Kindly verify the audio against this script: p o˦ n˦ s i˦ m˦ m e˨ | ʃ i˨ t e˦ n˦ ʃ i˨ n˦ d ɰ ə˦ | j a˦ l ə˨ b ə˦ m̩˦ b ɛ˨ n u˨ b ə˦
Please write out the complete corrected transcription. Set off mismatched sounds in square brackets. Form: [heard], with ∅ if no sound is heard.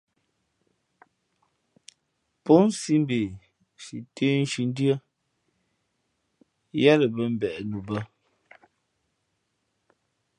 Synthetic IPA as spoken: p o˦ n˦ s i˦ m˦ [b] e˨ | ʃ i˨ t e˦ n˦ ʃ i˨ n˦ d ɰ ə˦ | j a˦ l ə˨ b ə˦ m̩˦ b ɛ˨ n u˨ b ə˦